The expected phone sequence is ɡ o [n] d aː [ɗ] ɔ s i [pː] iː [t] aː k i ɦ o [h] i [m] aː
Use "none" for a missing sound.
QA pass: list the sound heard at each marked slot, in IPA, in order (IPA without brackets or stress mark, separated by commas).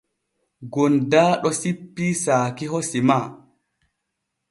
n, ɗ, pː, s, s, m